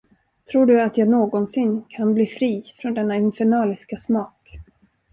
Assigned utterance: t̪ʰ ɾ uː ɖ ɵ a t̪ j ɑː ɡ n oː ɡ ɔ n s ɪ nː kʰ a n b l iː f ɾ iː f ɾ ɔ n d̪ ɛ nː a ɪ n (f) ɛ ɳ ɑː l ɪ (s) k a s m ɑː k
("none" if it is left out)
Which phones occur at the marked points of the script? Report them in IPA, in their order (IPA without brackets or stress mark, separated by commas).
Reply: f, s